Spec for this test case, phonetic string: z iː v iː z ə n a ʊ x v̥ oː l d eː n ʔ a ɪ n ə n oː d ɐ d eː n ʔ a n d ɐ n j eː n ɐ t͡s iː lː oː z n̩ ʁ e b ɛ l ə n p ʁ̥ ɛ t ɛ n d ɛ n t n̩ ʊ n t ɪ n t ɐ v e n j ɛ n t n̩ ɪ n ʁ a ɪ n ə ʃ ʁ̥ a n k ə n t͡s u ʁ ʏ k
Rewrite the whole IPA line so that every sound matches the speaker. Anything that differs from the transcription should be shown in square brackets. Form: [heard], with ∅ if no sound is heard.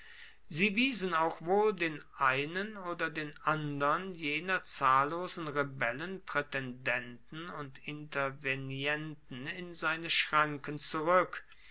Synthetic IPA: z iː v iː z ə n a ʊ x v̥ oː l d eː n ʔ a ɪ n ə n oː d ɐ d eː n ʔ a n d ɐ n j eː n ɐ t͡s [aː] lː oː z n̩ ʁ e b ɛ l ə n p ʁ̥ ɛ t ɛ n d ɛ n t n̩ ʊ n t ɪ n t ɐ v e n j ɛ n t n̩ ɪ n [z] a ɪ n ə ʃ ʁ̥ a [ŋ] k ə n t͡s u ʁ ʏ k